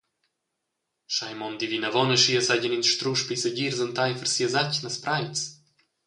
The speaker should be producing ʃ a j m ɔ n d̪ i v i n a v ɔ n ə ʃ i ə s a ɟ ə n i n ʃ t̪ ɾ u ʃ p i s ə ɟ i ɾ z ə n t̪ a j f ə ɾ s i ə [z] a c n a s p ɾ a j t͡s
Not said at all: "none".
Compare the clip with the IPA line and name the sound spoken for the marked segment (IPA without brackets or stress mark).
z